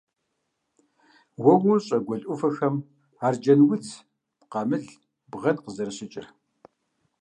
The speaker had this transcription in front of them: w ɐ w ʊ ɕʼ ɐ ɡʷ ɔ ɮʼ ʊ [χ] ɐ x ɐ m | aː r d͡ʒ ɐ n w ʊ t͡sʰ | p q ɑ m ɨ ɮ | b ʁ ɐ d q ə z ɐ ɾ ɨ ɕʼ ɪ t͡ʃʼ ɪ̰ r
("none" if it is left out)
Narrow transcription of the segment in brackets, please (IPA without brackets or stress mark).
f